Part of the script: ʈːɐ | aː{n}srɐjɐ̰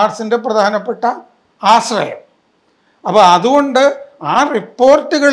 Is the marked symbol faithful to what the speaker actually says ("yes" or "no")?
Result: no